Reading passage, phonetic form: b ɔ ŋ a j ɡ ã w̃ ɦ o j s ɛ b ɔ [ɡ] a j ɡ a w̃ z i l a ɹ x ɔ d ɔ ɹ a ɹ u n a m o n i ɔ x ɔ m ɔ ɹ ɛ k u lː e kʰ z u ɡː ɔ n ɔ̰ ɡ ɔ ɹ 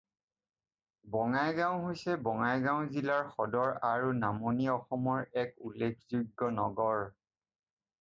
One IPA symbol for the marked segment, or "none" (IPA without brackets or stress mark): ŋ